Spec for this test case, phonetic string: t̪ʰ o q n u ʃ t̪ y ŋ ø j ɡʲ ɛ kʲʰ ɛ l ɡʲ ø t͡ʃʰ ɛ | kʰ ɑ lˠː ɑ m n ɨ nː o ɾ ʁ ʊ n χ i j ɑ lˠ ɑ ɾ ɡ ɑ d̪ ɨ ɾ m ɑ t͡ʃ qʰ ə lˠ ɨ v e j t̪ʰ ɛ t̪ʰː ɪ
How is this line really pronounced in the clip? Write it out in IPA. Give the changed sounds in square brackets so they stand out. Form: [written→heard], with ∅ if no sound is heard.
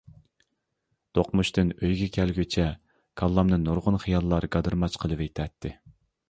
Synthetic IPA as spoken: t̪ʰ o q [n→m] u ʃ t̪ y [ŋ→n] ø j ɡʲ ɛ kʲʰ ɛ l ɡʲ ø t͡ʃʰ ɛ | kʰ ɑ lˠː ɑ m n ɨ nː o ɾ ʁ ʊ n χ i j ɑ [lˠ→lˠː] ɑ ɾ ɡ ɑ d̪ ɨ ɾ m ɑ t͡ʃ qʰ ə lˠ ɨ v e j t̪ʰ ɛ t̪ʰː ɪ